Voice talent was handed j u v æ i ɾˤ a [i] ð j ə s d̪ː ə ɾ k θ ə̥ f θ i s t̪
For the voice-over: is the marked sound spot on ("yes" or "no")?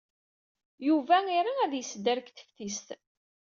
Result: no